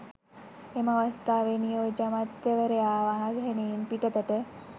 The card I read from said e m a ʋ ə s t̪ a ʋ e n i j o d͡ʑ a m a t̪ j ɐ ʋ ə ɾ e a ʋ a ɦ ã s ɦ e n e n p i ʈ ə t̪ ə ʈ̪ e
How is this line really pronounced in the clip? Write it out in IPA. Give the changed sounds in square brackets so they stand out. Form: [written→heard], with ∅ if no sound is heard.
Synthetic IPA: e m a ʋ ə s t̪ a ʋ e n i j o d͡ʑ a m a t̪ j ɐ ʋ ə ɾ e a ʋ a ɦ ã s ɦ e n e n p i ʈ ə t̪ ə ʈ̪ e